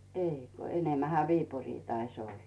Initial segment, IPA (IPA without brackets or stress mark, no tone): eˑ